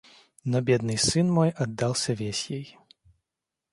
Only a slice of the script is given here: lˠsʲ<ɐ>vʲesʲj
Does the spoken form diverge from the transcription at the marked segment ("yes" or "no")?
no